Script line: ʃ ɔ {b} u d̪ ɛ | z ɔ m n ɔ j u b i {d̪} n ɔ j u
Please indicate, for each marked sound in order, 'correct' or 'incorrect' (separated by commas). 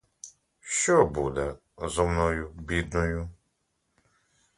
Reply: correct, correct